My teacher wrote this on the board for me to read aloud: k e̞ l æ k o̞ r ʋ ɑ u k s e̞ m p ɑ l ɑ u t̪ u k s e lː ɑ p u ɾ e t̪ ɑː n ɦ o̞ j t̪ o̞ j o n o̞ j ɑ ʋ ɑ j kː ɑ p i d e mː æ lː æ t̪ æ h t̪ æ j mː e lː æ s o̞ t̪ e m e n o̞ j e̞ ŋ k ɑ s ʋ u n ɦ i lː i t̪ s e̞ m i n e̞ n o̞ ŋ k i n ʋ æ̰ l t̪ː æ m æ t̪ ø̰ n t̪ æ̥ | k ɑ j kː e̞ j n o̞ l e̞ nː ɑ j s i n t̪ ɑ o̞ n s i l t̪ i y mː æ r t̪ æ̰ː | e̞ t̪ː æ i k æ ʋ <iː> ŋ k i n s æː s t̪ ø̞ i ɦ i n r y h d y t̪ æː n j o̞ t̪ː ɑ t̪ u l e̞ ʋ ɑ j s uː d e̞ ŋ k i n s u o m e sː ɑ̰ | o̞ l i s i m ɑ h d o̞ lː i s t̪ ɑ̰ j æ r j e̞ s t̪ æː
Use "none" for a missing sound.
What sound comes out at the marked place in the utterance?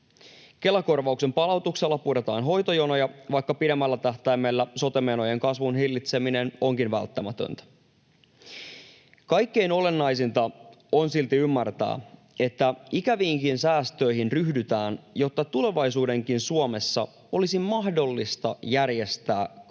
iː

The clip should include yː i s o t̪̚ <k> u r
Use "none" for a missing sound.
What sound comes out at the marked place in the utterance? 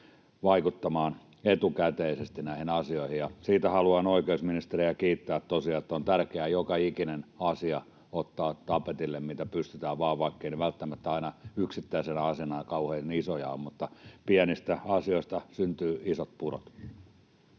p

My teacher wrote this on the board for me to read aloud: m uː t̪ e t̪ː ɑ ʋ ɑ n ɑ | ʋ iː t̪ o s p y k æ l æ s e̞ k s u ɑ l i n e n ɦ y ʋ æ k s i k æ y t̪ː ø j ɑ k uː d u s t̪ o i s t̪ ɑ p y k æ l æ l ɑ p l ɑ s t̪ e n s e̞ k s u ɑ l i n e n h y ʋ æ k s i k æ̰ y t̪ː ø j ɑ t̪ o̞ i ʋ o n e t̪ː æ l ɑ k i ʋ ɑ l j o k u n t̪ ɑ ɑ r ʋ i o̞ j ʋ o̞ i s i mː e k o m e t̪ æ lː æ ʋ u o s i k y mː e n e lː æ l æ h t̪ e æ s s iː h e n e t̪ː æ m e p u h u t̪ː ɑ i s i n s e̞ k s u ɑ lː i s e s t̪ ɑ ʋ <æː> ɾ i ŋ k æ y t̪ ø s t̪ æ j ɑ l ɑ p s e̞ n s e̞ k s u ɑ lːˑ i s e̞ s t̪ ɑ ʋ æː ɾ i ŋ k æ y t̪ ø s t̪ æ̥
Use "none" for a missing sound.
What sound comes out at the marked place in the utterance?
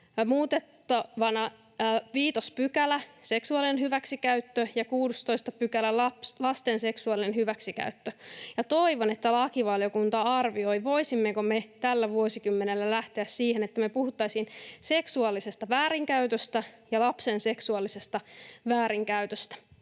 æː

